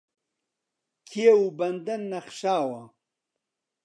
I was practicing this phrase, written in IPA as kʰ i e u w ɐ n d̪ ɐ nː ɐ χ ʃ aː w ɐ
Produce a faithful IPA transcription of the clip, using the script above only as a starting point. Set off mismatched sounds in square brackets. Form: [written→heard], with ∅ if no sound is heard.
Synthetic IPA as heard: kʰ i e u [w→b] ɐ n d̪ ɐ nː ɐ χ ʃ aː w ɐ